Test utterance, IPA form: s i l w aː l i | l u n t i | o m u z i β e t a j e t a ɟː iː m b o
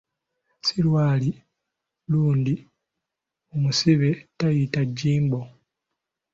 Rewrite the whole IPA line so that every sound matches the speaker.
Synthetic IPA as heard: s i l w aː l i | l uː n d i | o m u s i β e t a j i t a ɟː iː m b o